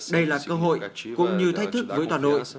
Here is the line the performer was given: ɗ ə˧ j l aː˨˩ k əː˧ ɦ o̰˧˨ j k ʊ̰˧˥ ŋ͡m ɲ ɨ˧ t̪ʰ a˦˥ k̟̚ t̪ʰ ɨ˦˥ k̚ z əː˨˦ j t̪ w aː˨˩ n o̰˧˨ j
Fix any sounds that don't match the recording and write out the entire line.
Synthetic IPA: ɗ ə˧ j l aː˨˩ k əː˧ ɦ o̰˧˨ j k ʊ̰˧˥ ŋ͡m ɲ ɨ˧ t̪ʰ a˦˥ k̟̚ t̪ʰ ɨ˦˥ k̚ v əː˨˦ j t̪ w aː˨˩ n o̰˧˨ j